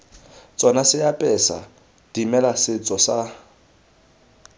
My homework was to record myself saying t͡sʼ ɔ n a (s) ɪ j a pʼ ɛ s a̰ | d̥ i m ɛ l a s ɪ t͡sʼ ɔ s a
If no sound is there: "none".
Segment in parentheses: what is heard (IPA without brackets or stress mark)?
s